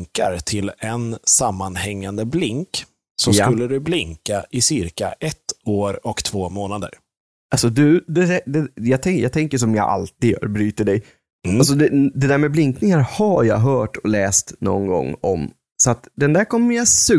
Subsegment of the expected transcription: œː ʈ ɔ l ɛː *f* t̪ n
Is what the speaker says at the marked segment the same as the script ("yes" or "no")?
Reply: no